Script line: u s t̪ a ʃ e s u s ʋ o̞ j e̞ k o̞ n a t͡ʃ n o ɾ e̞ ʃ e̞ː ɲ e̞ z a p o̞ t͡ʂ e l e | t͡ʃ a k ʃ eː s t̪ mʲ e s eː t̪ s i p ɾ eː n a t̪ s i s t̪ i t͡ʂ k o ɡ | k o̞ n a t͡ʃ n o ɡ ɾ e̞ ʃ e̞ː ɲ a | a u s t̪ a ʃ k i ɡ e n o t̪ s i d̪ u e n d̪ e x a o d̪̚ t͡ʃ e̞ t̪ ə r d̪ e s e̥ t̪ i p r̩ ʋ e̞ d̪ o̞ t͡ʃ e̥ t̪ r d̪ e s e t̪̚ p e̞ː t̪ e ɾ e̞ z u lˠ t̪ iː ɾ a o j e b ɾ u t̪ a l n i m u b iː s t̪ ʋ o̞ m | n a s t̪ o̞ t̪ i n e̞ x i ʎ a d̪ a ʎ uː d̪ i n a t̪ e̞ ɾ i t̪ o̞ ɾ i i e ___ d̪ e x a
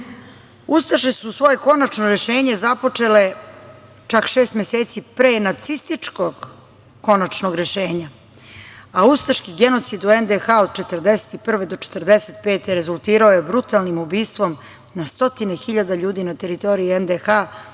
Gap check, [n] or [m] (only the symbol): n